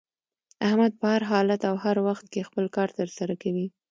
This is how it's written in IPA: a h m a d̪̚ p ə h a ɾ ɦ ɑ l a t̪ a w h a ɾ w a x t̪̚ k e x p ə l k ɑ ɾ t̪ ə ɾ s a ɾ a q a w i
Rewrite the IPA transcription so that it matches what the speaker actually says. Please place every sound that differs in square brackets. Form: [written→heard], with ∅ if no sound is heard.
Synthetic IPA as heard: a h m a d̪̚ p ə h a ɾ ɦ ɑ l a t̪ a w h a ɾ w a x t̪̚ k e x p ə l k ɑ ɾ t̪ ə ɾ s a ɾ a [q→k] a w i